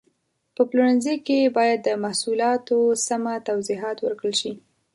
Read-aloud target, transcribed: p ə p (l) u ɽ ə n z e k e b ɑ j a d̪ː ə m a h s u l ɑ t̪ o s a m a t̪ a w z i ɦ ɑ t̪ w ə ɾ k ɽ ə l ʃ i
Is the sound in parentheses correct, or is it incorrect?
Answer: correct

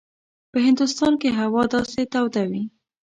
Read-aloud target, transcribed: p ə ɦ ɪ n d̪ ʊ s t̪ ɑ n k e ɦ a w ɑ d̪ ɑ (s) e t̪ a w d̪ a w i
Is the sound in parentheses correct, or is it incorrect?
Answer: correct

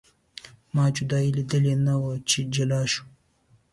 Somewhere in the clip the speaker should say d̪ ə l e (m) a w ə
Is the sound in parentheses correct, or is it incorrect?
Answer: incorrect: n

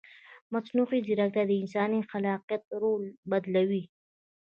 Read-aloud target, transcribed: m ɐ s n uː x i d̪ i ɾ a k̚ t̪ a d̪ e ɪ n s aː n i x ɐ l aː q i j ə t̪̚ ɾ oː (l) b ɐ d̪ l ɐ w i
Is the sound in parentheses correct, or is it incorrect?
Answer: correct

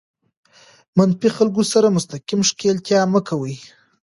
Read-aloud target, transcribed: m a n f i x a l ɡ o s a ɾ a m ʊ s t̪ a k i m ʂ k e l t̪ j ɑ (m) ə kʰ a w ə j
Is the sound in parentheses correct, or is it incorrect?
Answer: correct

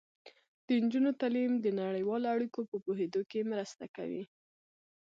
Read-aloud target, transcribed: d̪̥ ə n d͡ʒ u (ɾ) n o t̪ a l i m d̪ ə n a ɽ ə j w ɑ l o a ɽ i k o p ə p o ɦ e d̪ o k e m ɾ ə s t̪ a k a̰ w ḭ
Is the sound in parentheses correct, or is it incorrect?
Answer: incorrect: none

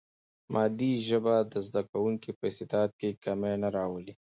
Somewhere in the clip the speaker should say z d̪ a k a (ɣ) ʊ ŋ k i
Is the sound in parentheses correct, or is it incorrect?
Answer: incorrect: w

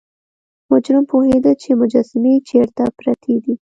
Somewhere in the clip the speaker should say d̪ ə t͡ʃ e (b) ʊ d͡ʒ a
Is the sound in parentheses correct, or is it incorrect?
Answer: incorrect: m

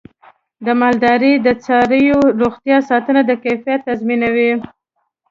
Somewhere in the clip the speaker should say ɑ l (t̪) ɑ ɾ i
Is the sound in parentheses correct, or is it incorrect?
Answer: incorrect: d̪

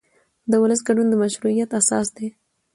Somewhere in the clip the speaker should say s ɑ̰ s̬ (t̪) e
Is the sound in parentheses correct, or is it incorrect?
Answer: incorrect: d̪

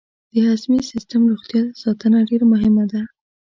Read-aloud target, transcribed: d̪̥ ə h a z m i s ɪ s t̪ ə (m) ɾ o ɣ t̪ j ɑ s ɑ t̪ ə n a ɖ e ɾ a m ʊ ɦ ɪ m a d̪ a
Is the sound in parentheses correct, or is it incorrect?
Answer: correct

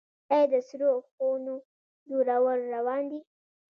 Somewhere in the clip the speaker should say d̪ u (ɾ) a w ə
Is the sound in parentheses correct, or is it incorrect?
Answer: correct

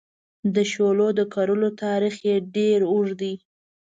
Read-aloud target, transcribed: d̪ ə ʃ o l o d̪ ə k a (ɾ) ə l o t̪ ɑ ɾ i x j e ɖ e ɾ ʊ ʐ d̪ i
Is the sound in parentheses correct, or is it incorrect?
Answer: correct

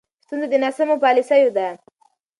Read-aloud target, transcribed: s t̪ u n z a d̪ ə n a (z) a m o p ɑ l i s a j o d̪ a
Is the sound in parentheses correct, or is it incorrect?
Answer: incorrect: s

